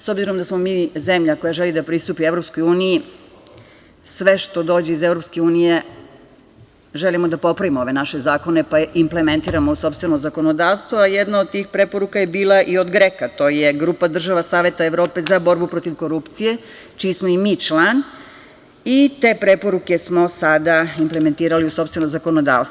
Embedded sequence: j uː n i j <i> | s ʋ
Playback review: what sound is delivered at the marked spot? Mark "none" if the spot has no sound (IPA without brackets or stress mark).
i